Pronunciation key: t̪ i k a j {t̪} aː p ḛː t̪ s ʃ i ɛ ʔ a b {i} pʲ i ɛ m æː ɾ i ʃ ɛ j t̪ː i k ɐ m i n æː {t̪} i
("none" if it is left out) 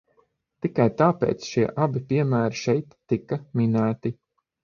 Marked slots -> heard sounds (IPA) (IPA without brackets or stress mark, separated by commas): t̪, i, t̪